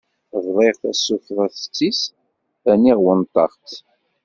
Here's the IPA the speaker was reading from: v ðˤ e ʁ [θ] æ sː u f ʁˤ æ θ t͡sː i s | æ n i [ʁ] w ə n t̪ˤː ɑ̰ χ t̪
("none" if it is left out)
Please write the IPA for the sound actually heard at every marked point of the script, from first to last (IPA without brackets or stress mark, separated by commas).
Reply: θ, ʁ